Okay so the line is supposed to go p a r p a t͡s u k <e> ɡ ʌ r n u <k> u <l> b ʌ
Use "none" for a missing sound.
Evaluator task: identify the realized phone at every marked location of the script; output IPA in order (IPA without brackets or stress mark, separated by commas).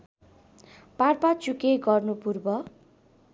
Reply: e, p, r